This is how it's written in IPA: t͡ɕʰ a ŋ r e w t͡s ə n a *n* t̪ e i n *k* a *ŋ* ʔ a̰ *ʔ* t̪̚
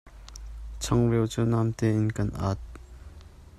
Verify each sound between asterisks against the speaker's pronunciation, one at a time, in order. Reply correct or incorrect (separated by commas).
incorrect, correct, incorrect, incorrect